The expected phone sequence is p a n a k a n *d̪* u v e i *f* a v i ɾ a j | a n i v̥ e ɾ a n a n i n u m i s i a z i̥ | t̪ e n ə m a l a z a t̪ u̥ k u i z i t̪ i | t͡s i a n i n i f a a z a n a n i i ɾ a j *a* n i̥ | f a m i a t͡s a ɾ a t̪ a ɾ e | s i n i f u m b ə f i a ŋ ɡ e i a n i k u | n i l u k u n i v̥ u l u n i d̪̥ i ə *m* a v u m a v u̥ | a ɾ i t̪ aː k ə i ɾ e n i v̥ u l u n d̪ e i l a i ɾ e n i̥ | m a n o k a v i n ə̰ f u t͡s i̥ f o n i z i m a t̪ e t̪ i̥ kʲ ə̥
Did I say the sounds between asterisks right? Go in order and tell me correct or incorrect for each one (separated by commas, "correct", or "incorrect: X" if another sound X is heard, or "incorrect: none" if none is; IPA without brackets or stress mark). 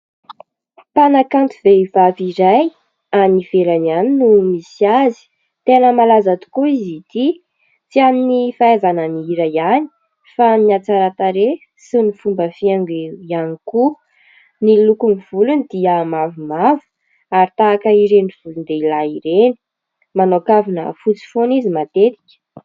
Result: incorrect: t̪, incorrect: v, correct, correct